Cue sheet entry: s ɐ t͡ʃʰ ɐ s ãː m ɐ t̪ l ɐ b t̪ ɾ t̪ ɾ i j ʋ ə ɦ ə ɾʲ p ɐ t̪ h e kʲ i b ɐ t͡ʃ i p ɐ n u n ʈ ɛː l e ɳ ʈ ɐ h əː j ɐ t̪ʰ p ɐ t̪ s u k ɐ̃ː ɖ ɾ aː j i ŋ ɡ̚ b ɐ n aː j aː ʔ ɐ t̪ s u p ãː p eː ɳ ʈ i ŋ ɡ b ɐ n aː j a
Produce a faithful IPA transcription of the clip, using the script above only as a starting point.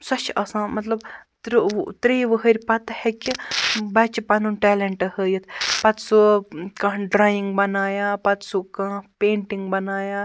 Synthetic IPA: s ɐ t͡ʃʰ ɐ s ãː m ɐ t̪ l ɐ b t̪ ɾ t̪ ɾ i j ʋ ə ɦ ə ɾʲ p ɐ t̪ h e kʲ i b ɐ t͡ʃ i p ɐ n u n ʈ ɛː l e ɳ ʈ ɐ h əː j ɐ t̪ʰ p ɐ t̪ s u k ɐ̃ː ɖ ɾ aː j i ŋ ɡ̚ b ɐ n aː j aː p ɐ t̪ s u k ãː p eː ɳ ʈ i ŋ ɡ b ɐ n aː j a